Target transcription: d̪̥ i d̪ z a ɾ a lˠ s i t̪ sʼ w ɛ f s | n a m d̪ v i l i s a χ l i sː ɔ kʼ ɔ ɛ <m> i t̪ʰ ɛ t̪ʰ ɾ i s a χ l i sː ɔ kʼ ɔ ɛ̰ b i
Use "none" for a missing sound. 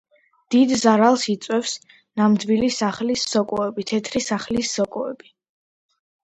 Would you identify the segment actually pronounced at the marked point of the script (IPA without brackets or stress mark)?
b